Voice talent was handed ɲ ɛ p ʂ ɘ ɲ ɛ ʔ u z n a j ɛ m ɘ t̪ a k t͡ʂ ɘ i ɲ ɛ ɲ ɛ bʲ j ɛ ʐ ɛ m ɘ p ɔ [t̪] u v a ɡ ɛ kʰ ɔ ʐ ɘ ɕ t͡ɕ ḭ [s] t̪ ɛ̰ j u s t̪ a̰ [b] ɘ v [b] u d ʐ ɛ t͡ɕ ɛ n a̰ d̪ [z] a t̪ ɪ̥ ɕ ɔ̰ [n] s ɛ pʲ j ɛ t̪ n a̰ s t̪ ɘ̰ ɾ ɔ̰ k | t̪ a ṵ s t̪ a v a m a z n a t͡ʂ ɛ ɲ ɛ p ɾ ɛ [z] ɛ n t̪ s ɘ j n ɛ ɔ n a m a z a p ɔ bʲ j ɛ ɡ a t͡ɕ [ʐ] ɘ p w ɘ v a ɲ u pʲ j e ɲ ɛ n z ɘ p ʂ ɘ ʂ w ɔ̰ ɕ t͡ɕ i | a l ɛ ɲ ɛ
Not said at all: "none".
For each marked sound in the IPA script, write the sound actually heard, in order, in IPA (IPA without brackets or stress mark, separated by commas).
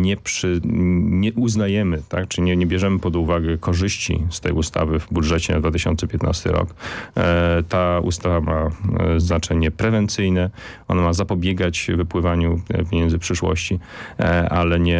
d̪, s, v, b, v, n, v, v